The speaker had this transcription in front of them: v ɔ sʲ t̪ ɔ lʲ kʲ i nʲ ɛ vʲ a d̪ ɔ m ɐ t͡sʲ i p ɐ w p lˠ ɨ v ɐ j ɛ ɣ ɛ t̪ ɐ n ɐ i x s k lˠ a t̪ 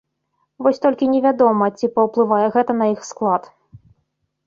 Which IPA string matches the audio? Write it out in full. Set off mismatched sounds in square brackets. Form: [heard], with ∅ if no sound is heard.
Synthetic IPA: v ɔ sʲ t̪ ɔ lʲ kʲ i nʲ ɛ vʲ a d̪ ɔ m ɐ t͡sʲ i p ɐ w p lˠ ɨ v [a] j ɛ ɣ ɛ t̪ ɐ n ɐ i x s k lˠ a t̪